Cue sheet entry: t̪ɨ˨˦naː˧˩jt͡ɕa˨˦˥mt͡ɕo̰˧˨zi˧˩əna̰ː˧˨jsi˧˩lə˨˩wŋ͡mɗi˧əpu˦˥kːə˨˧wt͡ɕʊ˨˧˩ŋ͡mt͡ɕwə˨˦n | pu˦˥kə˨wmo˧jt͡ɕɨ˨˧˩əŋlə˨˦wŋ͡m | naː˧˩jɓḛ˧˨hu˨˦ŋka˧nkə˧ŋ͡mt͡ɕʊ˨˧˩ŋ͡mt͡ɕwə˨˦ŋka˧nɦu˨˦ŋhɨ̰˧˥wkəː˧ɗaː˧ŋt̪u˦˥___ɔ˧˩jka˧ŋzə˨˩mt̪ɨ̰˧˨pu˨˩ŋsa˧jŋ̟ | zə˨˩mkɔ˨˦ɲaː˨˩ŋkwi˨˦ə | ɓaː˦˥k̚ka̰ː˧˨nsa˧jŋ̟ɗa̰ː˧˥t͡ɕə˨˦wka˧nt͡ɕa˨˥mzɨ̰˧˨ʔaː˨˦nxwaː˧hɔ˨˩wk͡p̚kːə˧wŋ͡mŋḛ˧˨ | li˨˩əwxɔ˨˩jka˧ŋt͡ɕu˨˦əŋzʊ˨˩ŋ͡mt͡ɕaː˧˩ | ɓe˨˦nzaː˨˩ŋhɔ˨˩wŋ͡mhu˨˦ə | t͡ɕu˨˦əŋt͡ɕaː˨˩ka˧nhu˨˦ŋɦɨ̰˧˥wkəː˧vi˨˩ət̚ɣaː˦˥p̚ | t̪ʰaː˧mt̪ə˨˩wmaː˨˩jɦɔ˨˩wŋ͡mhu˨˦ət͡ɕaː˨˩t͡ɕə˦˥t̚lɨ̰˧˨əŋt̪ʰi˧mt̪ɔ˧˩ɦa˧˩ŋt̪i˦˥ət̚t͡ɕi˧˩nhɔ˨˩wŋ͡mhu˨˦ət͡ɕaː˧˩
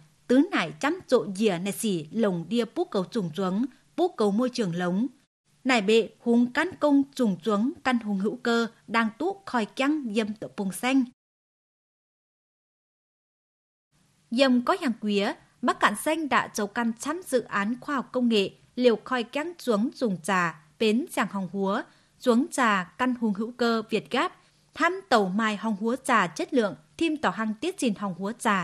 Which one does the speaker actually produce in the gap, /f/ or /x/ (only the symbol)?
x